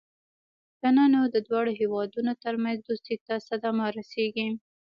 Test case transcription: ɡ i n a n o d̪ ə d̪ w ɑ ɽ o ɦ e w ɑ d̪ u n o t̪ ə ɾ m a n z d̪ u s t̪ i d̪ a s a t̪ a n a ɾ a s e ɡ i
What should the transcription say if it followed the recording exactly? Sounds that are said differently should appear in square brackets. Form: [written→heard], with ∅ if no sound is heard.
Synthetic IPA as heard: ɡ [i→a] n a n o d̪ ə d̪ w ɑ ɽ o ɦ e w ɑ d̪ u n o t̪ ə ɾ m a n z d̪ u s t̪ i [d̪→t̪] a s a [t̪→d̪] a [n→m] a ɾ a s e ɡ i